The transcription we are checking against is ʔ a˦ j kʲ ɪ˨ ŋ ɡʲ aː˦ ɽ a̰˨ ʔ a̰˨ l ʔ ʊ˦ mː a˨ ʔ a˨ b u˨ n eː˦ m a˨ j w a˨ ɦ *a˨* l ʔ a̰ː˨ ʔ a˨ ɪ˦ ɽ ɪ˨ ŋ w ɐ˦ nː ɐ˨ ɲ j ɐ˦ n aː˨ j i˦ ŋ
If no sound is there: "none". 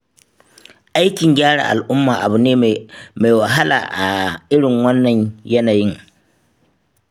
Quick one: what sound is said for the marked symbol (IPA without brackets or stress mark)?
a˦